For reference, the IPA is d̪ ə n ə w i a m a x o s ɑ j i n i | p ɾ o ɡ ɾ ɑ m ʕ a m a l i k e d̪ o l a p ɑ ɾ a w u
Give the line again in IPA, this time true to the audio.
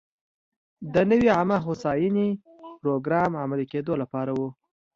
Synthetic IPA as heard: d̪ ə n ə w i a m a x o s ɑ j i n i | p ɾ o ɡ ɾ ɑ m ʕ a m a l i k e d̪ o l a p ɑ ɾ a w u